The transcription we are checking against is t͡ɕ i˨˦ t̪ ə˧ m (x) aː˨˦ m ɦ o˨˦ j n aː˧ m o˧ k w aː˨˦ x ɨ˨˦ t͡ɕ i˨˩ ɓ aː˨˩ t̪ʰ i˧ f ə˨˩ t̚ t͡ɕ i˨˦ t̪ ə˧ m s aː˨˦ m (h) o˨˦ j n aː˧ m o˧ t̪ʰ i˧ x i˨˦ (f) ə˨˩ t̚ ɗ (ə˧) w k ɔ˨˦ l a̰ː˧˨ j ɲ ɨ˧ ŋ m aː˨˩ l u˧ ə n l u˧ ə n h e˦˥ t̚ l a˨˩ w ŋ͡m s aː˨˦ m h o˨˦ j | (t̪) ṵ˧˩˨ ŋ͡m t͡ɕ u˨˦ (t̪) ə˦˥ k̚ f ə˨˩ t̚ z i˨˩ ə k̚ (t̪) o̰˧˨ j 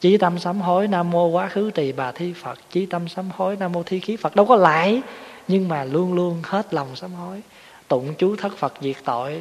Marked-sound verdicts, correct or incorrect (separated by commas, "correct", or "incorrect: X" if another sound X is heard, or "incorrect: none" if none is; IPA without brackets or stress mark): incorrect: s, correct, correct, correct, correct, incorrect: t̪ʰ, correct